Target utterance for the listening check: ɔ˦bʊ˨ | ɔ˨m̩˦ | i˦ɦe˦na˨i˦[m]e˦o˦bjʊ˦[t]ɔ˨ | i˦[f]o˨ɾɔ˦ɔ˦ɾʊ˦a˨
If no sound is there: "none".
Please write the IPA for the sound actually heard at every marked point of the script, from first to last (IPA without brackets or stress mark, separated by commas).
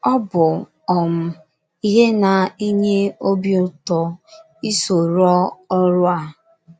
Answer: ɲ, t, s